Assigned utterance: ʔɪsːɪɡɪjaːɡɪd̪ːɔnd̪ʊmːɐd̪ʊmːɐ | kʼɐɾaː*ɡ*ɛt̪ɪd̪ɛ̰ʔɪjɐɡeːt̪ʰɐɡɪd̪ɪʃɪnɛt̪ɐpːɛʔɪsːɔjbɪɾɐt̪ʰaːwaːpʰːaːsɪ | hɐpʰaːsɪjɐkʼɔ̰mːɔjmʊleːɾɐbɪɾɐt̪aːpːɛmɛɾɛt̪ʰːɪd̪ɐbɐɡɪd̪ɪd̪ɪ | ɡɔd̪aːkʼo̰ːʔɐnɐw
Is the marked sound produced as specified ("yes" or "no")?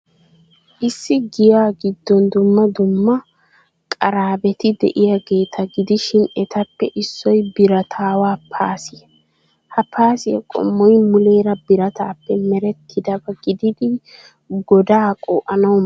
no